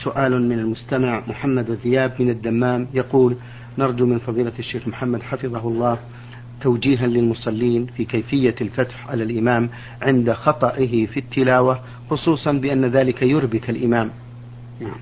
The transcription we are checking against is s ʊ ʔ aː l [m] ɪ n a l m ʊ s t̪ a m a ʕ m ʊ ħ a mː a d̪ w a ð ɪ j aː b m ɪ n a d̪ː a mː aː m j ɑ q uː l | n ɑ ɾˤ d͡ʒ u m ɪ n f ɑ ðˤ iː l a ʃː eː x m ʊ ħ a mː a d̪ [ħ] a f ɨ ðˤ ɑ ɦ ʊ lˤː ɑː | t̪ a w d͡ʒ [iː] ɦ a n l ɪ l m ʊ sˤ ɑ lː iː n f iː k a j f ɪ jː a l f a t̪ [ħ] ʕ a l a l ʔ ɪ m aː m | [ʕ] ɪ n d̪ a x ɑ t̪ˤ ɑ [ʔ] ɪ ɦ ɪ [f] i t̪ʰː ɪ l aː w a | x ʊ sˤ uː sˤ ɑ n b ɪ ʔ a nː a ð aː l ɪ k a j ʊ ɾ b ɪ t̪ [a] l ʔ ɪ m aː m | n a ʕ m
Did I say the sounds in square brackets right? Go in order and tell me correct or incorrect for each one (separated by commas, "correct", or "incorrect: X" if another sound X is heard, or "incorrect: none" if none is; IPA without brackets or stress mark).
correct, correct, correct, correct, correct, correct, correct, correct